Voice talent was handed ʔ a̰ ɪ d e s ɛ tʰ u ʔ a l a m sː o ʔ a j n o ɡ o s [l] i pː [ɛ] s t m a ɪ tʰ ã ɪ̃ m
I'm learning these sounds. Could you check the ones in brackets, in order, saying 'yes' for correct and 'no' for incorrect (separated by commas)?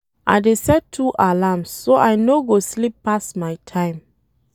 yes, no